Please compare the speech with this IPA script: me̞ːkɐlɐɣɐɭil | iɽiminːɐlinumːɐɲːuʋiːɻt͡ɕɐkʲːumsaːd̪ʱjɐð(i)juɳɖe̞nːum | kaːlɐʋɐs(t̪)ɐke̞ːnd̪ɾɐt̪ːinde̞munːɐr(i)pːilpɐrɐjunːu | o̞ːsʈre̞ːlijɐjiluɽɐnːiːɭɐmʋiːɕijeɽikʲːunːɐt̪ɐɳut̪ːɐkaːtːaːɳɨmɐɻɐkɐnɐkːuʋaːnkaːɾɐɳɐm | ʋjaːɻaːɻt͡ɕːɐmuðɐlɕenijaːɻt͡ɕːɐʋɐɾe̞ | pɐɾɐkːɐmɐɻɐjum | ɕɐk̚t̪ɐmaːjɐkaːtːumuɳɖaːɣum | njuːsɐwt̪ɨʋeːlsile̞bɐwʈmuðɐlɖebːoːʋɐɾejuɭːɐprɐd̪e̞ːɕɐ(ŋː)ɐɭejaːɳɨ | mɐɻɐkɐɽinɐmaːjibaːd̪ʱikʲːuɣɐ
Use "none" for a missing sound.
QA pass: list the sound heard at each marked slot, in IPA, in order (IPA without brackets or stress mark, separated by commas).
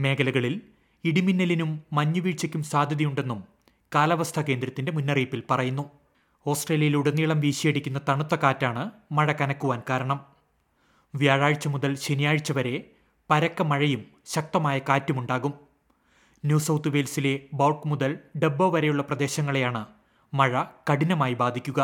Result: i, t̪ʰ, iː, ŋː